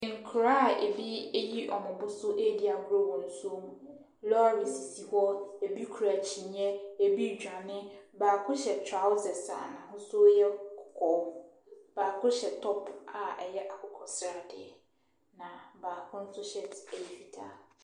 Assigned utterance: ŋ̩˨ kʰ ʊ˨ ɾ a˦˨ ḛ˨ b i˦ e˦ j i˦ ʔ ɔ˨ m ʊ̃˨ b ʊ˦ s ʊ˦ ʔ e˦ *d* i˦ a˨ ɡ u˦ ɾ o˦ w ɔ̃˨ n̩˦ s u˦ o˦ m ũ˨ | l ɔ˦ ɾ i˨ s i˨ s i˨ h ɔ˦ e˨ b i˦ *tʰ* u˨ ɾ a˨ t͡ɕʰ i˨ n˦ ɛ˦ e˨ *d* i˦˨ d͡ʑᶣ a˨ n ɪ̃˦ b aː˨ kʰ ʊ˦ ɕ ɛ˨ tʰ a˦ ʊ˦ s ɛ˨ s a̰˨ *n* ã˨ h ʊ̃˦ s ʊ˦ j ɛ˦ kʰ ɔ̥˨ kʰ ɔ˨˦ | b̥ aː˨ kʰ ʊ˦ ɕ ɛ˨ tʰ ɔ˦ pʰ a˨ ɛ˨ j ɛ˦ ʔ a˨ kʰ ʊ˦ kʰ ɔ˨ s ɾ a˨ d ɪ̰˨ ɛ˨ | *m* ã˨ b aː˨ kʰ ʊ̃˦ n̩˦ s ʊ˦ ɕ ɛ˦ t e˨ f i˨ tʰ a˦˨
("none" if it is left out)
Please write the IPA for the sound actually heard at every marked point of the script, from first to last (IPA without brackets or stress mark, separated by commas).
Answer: d, kʰ, b, n, n